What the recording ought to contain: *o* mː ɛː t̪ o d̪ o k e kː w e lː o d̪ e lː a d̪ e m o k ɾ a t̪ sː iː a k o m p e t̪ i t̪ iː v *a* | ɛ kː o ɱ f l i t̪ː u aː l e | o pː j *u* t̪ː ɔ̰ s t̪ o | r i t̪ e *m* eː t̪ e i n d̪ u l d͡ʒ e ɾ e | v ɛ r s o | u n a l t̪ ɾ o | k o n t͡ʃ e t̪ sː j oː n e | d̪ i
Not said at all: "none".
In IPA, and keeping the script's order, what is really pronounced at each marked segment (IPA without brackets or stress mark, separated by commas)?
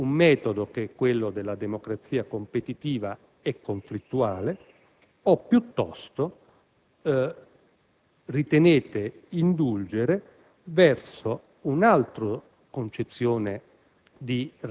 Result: u, a, u, n